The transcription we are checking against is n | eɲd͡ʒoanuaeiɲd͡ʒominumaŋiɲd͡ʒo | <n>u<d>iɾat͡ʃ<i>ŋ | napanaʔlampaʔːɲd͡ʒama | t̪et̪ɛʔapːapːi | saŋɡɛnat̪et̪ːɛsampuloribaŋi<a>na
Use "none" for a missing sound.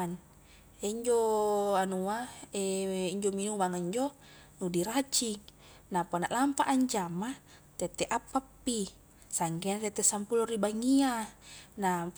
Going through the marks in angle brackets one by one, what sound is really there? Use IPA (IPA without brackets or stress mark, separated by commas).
n, d, i, a